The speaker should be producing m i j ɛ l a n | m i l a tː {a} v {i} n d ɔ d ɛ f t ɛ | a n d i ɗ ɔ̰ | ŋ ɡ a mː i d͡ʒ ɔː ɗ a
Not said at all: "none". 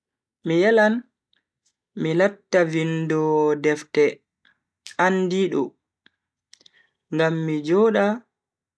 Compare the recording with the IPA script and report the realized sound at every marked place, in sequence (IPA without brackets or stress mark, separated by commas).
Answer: a, i